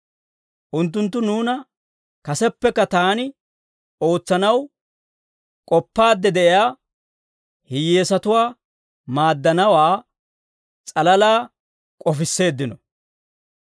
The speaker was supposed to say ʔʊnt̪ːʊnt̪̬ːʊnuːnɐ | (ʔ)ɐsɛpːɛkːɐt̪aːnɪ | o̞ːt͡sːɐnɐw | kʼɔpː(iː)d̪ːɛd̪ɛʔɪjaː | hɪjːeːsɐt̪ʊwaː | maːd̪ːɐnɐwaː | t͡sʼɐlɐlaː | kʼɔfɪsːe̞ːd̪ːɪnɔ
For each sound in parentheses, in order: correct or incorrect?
incorrect: k, incorrect: aː

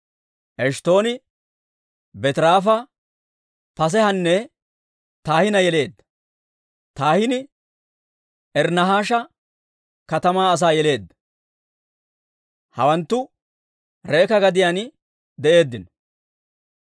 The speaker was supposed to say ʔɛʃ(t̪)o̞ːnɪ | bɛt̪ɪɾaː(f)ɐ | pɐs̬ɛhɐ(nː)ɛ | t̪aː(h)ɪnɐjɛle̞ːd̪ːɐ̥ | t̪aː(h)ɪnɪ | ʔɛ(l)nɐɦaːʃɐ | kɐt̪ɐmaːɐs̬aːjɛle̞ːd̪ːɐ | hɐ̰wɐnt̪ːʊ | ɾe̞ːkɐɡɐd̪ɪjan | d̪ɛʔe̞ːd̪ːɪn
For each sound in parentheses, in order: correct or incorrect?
correct, correct, correct, correct, correct, incorrect: ɾ

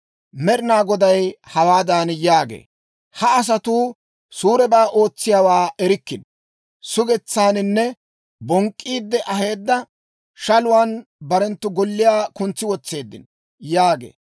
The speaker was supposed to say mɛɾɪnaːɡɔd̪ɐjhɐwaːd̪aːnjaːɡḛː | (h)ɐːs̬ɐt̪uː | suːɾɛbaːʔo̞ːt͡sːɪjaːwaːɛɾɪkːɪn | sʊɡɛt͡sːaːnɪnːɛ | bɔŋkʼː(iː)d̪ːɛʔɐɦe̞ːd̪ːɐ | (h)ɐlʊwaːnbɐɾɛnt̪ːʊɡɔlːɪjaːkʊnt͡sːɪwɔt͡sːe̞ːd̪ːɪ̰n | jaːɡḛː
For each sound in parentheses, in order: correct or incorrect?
correct, correct, incorrect: ʃ

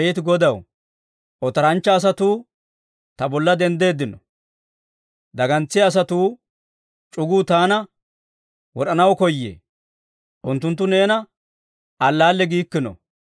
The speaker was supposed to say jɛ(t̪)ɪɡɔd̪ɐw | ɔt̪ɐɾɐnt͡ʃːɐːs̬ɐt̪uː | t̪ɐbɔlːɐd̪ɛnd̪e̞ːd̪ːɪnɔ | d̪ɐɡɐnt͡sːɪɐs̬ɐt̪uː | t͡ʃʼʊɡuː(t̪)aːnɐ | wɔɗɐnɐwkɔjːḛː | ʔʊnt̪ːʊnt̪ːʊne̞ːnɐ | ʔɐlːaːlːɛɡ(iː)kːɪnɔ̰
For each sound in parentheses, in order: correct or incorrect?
correct, correct, correct

